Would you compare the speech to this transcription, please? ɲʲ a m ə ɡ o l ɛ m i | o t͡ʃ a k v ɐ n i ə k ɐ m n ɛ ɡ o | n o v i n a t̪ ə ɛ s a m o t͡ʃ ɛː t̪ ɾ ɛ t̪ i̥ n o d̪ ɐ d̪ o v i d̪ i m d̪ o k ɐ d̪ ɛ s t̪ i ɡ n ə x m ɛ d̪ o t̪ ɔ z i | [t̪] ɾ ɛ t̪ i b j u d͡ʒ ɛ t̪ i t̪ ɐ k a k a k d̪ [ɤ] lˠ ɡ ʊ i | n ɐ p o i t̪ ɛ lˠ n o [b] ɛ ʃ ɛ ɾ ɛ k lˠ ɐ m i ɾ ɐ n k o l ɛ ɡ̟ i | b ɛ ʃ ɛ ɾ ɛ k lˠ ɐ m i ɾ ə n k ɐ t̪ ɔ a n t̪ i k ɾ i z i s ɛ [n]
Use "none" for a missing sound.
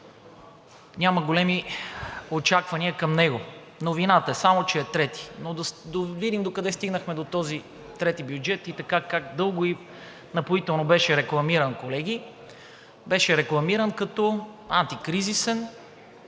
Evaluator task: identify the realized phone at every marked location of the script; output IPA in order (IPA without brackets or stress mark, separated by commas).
t̪, ɤ, b, n